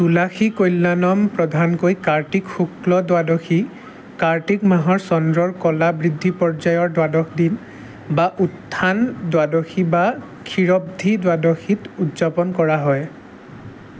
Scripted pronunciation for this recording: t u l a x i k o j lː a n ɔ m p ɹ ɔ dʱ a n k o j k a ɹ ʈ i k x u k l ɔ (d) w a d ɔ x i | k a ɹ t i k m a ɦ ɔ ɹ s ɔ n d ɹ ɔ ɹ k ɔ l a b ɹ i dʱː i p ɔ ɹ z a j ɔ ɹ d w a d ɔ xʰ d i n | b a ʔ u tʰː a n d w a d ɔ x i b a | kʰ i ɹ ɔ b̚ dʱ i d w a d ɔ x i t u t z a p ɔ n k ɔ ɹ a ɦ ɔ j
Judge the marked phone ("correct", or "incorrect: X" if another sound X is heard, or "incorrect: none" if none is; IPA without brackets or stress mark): correct